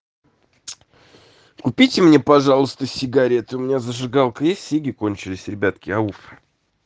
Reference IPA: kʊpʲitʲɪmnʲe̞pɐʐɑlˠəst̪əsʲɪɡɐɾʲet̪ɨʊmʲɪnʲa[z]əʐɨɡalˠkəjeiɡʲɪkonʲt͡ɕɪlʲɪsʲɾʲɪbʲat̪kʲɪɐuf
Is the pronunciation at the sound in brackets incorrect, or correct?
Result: correct